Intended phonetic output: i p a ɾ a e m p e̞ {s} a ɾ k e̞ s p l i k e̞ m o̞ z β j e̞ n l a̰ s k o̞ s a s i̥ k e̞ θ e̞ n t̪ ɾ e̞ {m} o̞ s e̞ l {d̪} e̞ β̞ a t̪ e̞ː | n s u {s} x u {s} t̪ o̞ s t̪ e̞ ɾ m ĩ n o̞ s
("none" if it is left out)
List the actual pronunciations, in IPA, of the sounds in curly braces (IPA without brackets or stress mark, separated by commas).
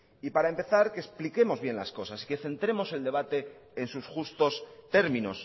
θ, m, d̪, s, s